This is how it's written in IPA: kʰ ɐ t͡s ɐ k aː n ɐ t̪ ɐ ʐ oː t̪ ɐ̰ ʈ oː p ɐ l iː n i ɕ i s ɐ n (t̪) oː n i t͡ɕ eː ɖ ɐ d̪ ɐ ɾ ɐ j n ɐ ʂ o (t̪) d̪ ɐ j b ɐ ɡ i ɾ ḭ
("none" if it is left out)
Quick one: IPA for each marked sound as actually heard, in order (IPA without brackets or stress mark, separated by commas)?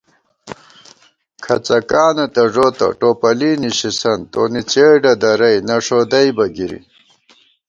t̪, none